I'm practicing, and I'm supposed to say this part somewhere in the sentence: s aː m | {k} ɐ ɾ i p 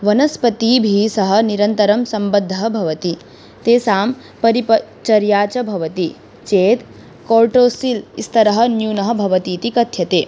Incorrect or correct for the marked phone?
incorrect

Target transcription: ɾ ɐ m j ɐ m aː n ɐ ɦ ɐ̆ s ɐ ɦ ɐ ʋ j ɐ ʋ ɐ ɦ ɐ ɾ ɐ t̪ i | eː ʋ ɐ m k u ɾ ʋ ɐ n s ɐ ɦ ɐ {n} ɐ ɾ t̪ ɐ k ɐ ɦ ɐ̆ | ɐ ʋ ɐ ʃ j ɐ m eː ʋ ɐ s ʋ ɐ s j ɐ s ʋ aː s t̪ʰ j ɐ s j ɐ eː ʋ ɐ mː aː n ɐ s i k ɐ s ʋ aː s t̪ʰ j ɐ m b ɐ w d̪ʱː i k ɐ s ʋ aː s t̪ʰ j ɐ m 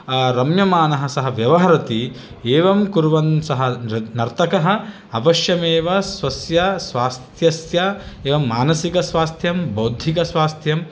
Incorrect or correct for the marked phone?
correct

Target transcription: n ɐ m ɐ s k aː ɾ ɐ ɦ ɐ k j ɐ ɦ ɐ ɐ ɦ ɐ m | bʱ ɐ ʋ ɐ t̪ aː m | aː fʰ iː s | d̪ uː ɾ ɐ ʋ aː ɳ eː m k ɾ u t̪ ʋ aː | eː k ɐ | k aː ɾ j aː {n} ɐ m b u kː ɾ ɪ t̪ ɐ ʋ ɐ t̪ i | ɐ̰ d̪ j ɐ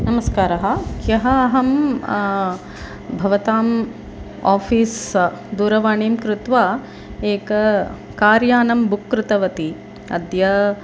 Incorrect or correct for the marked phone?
correct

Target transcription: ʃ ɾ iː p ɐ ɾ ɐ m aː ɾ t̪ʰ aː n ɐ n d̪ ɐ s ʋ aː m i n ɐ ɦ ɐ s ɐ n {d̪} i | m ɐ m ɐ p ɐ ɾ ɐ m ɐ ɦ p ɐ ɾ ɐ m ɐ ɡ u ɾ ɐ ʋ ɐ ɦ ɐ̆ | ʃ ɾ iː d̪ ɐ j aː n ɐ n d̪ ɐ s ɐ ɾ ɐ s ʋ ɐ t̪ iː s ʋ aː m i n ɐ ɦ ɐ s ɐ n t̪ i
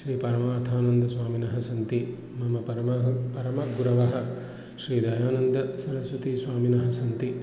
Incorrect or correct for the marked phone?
incorrect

